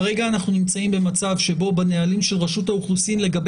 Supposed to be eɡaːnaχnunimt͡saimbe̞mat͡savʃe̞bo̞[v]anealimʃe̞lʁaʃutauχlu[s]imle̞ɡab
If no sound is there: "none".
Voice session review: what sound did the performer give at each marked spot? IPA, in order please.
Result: b, s

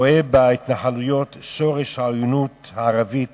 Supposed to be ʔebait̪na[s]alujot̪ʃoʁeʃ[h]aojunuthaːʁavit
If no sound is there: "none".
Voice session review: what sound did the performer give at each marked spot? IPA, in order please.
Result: ħ, h

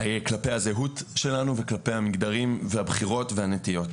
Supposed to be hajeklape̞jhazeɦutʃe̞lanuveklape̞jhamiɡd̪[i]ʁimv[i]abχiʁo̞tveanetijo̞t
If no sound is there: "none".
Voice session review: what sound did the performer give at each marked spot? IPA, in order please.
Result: a, e

